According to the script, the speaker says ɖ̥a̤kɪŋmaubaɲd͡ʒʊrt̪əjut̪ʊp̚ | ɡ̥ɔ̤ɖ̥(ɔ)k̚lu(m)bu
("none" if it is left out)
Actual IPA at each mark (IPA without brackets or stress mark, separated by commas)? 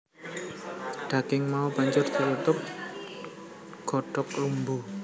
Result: ɔ, m